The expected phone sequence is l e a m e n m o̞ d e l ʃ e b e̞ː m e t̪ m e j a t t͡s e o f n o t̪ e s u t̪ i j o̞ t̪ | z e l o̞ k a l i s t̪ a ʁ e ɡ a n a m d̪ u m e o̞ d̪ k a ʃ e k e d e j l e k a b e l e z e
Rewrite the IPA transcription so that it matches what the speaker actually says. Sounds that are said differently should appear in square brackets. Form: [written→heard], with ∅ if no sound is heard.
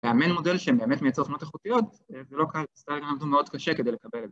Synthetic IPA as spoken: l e a m e n m o̞ d e l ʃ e b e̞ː m e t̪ m e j a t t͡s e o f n o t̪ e [s→χ] u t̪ i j o̞ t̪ | z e l o̞ k a l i s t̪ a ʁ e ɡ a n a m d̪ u m e o̞ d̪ k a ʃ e k e d e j l e k a b e l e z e